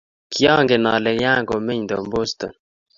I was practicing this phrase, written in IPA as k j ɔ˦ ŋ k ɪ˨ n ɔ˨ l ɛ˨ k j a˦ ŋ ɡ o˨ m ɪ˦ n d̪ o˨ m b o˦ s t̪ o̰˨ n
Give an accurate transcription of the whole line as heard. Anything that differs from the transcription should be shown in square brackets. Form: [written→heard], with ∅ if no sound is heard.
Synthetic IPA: k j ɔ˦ ŋ [k→ɡ] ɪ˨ n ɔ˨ l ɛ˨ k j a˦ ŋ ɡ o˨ m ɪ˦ [n→ɲ] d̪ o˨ m b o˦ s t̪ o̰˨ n